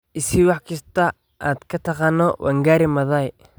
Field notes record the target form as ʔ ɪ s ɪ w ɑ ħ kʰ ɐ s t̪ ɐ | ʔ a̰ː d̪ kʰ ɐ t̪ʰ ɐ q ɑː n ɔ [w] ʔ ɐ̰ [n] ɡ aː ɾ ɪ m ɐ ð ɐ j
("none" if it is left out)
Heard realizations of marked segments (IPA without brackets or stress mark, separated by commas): w, ŋ